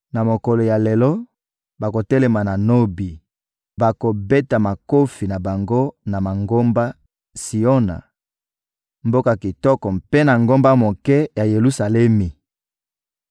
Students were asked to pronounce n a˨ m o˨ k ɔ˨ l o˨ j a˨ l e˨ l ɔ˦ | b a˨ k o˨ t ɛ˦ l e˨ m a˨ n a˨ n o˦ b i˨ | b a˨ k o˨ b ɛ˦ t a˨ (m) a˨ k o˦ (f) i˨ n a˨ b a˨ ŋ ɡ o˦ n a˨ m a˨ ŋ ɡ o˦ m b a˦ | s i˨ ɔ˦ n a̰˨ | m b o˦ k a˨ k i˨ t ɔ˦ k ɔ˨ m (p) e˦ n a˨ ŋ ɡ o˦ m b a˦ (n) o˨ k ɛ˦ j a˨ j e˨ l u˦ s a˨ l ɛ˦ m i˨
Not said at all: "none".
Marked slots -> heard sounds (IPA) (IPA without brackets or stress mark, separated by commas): m, f, p, m